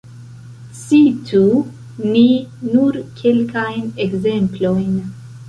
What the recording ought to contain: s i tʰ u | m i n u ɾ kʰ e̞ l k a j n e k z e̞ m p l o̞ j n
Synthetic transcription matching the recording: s i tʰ u | n i n u ɾ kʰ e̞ l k a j n e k z e̞ m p l o̞ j n